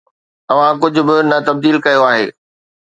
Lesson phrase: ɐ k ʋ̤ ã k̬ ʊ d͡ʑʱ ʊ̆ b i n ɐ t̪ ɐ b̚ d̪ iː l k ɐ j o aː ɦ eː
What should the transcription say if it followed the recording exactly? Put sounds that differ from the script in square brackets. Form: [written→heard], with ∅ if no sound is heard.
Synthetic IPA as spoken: ɐ [k→∅] ʋ̤ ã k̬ ʊ d͡ʑʱ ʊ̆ b [i→ɪ] n ɐ t̪ ɐ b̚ d̪ iː l k ɐ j o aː ɦ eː